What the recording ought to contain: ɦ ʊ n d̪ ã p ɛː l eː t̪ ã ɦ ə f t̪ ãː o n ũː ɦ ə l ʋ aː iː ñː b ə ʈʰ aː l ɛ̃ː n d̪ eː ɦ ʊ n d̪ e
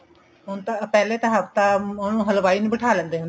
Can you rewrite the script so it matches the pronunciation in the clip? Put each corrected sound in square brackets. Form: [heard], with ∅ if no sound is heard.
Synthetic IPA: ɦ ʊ n [t̪] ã p ɛː l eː t̪ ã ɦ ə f t̪ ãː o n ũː ɦ ə l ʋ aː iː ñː b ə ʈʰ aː l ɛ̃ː n d̪ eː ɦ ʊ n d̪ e